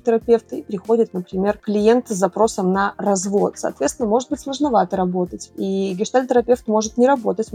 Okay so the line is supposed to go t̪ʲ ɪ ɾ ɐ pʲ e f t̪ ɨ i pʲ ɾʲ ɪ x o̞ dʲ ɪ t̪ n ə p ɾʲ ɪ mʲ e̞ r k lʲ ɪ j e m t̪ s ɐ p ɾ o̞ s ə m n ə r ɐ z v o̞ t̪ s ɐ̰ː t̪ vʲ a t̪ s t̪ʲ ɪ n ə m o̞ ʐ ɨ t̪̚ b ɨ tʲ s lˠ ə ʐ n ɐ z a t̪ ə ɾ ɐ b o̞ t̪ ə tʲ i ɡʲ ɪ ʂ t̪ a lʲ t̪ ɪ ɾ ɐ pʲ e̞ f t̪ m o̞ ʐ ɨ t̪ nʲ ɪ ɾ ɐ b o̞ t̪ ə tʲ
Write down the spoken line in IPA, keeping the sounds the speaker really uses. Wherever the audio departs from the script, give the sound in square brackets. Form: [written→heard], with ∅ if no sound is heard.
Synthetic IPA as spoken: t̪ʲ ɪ ɾ ɐ pʲ e f t̪ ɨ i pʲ ɾʲ ɪ x o̞ dʲ ɪ t̪ n ə p ɾʲ ɪ mʲ e̞ r k lʲ ɪ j e [m→n] t̪ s ɐ p ɾ o̞ s ə m n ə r ɐ z v o̞ t̪ s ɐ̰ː t̪ vʲ [a→e] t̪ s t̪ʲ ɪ n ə m o̞ ʐ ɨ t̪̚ b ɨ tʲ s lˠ ə ʐ n ɐ [z→v] a t̪ ə ɾ ɐ b o̞ t̪ ə tʲ i ɡʲ ɪ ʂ t̪ a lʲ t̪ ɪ ɾ ɐ pʲ e̞ f t̪ m o̞ ʐ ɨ t̪ nʲ ɪ ɾ ɐ b o̞ t̪ ə tʲ